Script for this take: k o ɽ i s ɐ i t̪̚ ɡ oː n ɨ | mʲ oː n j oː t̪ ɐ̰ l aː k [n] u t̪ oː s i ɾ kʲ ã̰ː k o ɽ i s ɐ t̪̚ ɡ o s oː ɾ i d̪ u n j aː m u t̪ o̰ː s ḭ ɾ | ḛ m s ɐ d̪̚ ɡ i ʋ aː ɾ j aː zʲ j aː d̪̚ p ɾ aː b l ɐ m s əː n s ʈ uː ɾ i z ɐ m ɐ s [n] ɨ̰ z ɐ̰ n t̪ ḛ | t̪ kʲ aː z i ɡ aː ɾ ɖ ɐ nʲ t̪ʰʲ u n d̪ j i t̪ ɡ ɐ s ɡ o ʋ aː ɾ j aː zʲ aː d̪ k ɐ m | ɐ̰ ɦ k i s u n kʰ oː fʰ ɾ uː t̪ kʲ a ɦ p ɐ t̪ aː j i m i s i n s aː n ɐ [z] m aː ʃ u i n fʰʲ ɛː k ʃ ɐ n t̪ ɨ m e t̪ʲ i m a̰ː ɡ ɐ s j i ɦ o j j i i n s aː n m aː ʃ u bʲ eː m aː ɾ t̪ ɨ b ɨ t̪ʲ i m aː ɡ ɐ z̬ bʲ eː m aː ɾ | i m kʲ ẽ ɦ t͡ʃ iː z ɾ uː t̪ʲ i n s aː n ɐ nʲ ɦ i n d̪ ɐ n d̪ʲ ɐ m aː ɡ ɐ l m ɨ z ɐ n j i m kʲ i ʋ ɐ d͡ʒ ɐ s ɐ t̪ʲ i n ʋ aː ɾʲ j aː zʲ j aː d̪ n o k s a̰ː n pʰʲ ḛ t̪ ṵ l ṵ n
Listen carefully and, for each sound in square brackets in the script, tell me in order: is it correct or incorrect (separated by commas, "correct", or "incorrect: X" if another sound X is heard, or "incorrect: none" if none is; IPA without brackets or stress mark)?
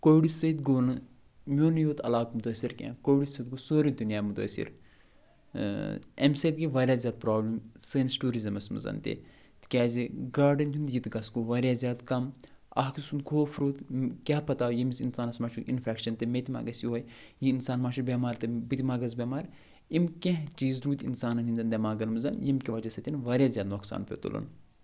incorrect: m, incorrect: m, incorrect: s